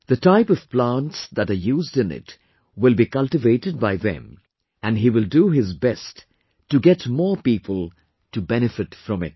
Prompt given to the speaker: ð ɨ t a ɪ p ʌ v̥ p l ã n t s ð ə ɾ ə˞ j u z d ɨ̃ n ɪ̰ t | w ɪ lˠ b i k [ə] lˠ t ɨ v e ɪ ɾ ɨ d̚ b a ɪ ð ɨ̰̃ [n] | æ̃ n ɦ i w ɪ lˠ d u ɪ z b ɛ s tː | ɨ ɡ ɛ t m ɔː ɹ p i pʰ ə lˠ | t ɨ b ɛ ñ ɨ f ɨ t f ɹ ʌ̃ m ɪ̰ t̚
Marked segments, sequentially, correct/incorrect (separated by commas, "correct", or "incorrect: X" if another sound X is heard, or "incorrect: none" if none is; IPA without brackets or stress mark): incorrect: ʌ, incorrect: m